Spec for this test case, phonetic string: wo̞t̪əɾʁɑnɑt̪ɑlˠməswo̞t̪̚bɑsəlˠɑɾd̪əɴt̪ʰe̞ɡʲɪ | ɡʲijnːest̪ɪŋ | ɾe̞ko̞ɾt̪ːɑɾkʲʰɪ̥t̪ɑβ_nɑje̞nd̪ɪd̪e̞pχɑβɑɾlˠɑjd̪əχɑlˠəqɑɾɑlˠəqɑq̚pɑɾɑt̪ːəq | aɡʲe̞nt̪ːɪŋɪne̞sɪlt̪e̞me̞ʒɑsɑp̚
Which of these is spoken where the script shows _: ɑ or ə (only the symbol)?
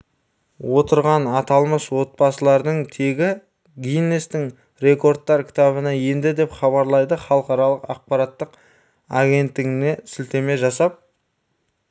ə